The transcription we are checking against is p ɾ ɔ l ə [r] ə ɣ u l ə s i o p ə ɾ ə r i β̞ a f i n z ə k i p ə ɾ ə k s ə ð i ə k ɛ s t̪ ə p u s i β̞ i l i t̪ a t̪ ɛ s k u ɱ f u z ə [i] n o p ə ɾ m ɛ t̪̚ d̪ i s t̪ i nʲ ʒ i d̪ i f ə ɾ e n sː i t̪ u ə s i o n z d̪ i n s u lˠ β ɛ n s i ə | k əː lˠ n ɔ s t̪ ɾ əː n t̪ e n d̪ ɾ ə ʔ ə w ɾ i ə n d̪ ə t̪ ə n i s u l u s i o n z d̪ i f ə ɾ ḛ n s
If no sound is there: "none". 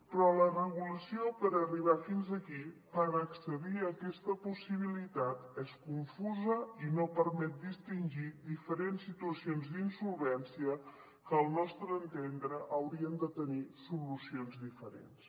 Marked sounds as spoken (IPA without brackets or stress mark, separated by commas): r, i